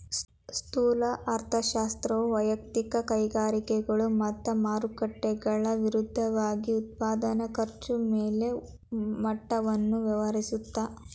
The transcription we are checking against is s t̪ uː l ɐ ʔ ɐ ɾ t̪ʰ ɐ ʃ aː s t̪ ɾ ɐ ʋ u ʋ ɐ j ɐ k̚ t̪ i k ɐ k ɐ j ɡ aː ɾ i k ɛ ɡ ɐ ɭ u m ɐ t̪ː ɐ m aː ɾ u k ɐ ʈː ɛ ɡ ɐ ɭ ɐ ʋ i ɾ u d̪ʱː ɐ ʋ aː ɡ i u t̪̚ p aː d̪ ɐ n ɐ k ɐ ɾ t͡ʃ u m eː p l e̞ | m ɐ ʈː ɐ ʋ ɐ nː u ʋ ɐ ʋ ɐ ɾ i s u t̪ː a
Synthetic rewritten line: s t̪ uː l ɐ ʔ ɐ ɾ t̪ʰ ɐ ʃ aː s t̪ ɾ ɐ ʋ u ʋ ɐ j ɐ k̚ t̪ i k ɐ k ɐ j ɡ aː ɾ i k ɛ ɡ ɐ ɭ u m ɐ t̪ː ɐ m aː ɾ u k ɐ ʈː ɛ ɡ ɐ ɭ ɐ ʋ i ɾ u d̪ʱː ɐ ʋ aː ɡ i u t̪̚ p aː d̪ ɐ n ɐ k ɐ ɾ t͡ʃ u m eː l e̞ | m ɐ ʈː ɐ ʋ ɐ nː u ʋ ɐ ʋ ɐ ɾ i s u t̪ː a